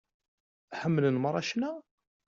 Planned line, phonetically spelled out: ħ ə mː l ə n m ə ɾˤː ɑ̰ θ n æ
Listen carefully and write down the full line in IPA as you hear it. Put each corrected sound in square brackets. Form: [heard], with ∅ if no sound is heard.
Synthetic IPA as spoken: ħ ə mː l ə n m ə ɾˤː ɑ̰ [ʃ] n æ